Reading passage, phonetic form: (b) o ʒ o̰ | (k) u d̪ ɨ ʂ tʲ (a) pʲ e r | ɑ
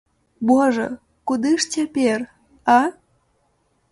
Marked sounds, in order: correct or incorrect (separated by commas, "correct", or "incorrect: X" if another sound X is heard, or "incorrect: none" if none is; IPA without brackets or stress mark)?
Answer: correct, correct, incorrect: e